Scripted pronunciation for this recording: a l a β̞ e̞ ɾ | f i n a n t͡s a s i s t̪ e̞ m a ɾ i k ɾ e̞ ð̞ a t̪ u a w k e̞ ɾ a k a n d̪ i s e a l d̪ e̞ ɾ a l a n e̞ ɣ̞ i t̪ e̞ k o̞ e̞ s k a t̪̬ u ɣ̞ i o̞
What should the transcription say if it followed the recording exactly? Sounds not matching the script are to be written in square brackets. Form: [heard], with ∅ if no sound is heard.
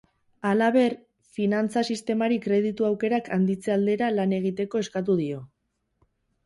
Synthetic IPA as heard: a l a β̞ e̞ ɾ | f i n a n t͡s a s i s t̪ e̞ m a ɾ i k ɾ e̞ ð̞ [i] t̪ u a w k e̞ ɾ a k a n d̪ i [t͡s] e a l d̪ e̞ ɾ a l a n e̞ ɣ̞ i t̪ e̞ k o̞ e̞ s k a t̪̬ u [ð̞] i o̞